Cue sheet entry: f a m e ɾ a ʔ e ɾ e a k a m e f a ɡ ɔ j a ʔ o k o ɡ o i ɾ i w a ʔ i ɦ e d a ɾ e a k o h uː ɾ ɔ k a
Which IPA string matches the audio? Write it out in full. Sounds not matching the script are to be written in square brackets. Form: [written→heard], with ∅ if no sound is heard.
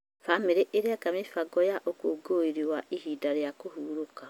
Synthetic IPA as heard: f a m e ɾ [a→e] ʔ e ɾ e a k a m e f a ɡ ɔ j a ʔ o k o ɡ o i ɾ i w a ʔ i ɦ [e→i] d a ɾ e a k o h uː ɾ [ɔ→o] k a